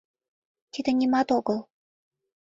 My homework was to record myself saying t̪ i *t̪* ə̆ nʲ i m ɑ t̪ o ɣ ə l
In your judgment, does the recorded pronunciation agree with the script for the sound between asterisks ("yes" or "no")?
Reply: no